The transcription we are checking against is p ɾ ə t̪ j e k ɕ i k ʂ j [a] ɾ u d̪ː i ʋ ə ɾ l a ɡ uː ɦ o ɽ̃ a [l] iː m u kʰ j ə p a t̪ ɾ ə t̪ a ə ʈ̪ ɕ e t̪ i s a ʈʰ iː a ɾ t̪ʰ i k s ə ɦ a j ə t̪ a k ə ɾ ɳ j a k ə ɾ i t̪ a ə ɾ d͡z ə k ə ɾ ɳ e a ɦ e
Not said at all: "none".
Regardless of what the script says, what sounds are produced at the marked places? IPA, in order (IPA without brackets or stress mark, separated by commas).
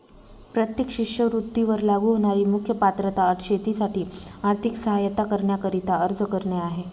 ə, ɾ